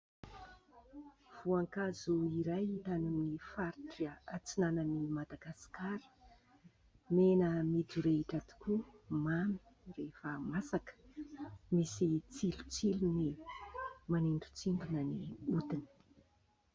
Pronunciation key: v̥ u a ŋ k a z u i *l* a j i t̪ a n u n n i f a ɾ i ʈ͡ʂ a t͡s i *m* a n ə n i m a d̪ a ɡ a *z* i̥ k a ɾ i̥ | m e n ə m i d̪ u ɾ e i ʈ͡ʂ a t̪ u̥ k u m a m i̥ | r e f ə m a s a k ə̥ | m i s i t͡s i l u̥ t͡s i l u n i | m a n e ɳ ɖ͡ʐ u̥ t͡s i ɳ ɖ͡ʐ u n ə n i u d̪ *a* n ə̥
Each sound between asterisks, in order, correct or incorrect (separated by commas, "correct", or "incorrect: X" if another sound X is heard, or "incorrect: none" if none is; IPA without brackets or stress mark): incorrect: ɾ, incorrect: n, incorrect: s, incorrect: i